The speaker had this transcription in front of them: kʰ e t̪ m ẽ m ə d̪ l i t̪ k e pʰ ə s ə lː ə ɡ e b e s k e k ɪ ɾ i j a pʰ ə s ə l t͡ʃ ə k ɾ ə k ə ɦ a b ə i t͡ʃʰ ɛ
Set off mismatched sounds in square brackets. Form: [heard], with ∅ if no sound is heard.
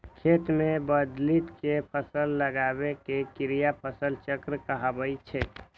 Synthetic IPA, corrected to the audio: kʰ e t̪ m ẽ [b] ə d̪ l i t̪ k e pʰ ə s ə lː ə ɡ [a] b e [∅] k e k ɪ ɾ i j a pʰ ə s ə l t͡ʃ ə k ɾ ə k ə ɦ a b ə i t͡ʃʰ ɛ